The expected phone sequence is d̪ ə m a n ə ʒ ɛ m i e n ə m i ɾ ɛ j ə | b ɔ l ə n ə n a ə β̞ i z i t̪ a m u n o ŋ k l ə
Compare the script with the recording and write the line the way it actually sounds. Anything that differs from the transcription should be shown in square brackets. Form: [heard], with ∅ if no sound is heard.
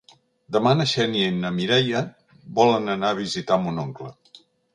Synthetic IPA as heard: d̪ ə m a n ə [ʃ] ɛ [n] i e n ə m i ɾ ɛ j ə | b ɔ l ə n ə n a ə β̞ i z i t̪ a m u n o ŋ k l ə